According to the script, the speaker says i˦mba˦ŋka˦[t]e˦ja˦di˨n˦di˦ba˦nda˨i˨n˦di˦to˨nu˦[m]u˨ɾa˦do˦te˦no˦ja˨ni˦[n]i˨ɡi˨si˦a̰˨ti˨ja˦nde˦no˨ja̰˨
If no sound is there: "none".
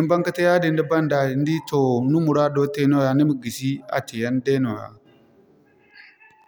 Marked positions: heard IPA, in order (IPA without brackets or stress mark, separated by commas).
t, m, m